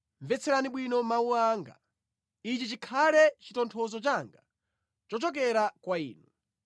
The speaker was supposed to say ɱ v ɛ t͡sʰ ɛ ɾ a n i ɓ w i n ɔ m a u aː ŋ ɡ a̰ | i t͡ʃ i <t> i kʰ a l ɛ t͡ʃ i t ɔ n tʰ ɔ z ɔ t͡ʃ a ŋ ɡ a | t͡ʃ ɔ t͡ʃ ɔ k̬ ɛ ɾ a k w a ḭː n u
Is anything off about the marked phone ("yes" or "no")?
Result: yes